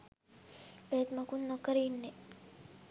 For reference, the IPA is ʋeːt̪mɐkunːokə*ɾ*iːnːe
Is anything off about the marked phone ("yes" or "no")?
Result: no